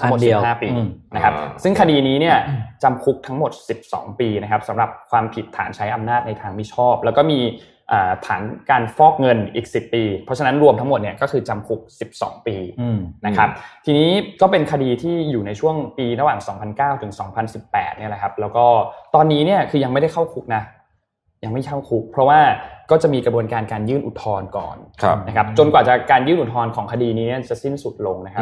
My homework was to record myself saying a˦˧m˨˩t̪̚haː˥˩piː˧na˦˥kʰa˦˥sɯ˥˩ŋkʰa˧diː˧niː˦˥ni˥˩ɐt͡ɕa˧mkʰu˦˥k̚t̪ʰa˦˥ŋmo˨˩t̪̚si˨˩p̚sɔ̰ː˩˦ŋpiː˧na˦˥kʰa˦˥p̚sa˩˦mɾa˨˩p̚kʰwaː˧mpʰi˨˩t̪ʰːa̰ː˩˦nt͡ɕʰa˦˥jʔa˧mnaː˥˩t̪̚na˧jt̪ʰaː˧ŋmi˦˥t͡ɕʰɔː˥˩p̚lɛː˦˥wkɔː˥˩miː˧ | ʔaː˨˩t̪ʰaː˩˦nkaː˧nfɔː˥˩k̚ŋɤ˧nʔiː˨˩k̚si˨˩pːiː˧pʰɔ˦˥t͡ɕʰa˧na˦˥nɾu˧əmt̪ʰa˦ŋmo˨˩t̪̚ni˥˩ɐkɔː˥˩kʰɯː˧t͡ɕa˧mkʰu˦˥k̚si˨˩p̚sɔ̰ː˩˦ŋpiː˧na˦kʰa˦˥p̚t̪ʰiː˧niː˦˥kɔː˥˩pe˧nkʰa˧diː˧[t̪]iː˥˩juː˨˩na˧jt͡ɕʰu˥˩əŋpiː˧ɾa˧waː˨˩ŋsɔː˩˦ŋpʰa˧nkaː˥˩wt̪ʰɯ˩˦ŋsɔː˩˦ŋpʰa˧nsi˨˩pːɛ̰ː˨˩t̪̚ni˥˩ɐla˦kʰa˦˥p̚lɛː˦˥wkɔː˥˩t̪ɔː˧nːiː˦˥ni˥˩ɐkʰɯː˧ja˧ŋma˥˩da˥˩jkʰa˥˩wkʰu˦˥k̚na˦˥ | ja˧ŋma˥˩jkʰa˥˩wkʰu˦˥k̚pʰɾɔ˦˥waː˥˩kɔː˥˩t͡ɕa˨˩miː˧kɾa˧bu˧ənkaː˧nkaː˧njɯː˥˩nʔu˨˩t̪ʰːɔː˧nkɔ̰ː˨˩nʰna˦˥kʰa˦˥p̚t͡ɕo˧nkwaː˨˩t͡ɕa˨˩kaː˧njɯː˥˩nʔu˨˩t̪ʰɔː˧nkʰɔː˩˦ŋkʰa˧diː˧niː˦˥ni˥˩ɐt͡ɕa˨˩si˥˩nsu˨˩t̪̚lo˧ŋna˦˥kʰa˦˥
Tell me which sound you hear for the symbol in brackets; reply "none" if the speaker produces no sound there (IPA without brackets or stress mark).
t̪ʰ